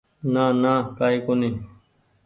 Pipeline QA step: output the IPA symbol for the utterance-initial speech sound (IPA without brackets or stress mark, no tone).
n